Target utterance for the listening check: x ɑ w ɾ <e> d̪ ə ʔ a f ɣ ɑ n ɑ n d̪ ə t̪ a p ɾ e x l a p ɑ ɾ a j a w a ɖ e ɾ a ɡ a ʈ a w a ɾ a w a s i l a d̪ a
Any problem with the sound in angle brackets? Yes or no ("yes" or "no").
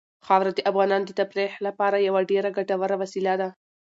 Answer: yes